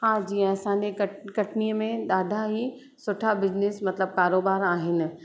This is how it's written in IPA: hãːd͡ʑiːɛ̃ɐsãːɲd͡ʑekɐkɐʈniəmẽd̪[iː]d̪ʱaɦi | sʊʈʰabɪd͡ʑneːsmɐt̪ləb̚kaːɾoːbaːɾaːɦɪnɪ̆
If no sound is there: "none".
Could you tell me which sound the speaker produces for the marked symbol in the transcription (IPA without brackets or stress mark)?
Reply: aː